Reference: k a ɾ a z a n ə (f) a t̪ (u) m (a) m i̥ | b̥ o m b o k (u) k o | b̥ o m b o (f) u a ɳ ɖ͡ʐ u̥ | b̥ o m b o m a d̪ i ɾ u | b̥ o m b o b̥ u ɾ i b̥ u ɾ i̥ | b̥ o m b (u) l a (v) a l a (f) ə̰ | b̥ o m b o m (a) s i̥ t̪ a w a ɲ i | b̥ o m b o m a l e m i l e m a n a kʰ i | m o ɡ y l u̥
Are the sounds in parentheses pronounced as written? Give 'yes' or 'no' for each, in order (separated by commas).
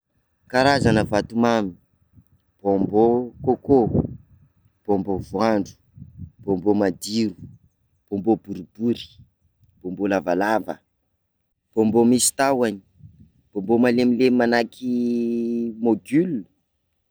no, yes, yes, no, no, no, yes, no, no